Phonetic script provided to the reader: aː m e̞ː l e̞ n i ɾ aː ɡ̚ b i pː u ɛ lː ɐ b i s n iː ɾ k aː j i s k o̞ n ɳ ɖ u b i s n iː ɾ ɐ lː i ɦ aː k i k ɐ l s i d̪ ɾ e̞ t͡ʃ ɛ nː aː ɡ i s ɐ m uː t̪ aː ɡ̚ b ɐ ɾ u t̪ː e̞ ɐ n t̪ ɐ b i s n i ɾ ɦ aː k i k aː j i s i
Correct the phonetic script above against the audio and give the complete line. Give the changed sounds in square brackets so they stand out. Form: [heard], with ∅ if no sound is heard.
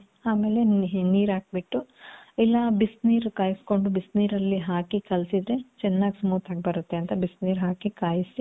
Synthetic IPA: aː m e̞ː l e̞ n [iː] ɾ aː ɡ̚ b i [ʈː] u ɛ lː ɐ b i s n iː ɾ k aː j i s k o̞ [∅] ɳ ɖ u b i s n iː ɾ ɐ lː i ɦ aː k i k ɐ l s i d̪ ɾ e̞ t͡ʃ ɛ nː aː ɡ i s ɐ m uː t̪ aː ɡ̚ b ɐ ɾ u t̪ː e̞ ɐ n t̪ ɐ b i s n [iː] ɾ ɦ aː k i k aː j i s i